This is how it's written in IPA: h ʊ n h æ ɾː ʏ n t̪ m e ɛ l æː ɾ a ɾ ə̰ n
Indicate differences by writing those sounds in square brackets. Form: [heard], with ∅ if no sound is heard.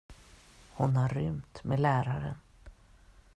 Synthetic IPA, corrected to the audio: h ʊ n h [a] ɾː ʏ [m] t̪ m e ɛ l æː ɾ a ɾ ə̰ n